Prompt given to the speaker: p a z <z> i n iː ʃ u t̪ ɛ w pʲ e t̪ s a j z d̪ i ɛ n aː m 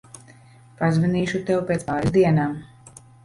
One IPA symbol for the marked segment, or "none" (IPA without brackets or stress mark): v